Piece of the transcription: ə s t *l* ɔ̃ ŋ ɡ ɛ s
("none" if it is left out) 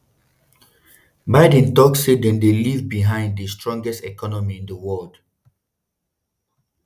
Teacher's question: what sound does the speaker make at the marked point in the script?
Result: ɹ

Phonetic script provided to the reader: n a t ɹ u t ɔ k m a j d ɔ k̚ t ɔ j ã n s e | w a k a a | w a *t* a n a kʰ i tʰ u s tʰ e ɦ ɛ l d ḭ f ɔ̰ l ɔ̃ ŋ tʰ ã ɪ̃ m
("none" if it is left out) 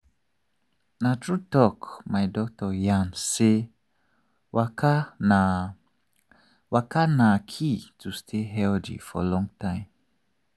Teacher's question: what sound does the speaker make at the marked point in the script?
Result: k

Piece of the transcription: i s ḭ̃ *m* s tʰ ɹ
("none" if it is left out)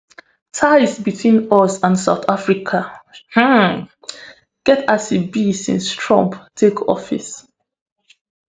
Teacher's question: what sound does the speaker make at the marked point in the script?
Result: n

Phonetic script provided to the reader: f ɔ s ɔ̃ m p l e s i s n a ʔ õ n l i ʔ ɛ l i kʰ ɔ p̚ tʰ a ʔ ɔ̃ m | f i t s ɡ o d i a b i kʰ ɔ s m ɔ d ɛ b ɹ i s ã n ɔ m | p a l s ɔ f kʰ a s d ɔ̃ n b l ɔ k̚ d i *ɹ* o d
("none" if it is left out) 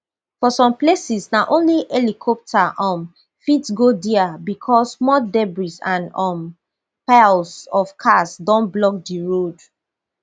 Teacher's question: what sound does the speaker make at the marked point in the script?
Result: ɹ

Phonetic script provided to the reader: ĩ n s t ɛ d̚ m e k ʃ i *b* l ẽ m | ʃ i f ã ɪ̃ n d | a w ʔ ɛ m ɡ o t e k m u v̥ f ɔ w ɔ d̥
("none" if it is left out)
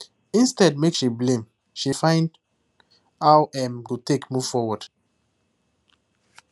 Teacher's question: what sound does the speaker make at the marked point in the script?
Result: b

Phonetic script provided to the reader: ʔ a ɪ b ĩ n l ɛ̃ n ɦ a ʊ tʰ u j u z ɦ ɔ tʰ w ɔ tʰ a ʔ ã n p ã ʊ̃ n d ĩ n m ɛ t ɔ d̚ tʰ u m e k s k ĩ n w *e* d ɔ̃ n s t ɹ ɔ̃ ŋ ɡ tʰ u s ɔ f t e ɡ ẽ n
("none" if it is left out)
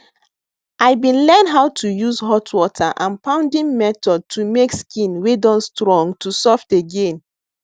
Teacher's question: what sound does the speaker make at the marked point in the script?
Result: e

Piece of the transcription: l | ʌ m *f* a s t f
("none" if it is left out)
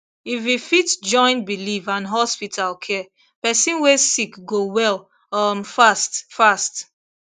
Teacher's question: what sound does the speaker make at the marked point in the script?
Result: f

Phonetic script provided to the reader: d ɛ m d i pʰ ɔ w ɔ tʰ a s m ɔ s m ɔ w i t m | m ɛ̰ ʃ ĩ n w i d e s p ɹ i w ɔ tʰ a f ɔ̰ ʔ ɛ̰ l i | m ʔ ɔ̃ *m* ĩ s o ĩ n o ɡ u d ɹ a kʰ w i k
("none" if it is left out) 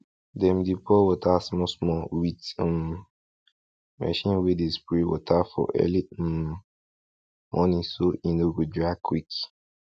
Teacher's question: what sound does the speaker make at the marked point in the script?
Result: n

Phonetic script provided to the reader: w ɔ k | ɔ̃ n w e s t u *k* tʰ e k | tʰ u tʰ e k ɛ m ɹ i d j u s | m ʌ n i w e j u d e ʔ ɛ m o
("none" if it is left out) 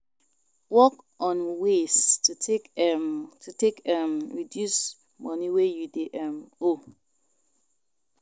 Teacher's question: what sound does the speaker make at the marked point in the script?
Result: none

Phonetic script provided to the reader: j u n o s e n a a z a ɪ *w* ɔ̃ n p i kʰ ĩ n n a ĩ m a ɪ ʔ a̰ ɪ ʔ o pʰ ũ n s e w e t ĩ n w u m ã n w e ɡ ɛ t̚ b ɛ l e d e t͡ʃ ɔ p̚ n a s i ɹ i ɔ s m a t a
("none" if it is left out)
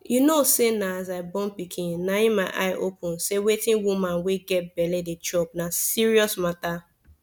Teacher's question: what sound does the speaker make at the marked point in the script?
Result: b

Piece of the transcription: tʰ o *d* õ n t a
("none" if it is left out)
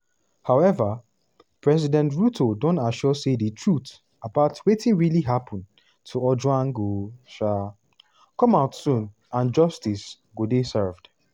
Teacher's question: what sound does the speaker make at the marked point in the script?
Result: d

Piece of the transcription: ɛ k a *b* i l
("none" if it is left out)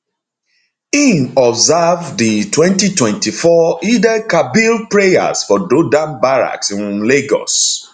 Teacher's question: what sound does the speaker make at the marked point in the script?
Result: b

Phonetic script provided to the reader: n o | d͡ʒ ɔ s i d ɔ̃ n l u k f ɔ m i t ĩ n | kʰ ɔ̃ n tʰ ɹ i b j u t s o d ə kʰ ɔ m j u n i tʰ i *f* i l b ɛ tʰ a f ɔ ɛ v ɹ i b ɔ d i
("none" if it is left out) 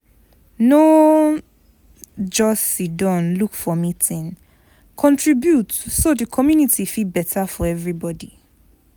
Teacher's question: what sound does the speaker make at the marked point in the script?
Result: f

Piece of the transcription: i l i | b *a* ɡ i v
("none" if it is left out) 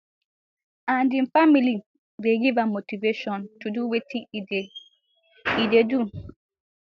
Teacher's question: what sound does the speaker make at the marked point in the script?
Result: e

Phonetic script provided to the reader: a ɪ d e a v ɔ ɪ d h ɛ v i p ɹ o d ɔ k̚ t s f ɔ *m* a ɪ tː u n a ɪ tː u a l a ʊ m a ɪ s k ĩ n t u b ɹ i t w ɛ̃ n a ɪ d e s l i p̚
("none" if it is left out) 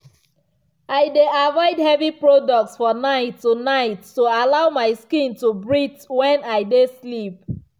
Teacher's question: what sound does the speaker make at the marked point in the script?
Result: n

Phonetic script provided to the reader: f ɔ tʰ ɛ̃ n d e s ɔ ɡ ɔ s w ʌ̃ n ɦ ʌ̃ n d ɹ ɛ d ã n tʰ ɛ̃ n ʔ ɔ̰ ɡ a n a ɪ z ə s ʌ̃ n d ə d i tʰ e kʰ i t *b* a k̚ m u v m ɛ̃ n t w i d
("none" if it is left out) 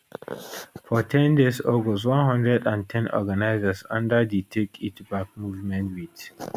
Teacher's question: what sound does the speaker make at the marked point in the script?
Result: b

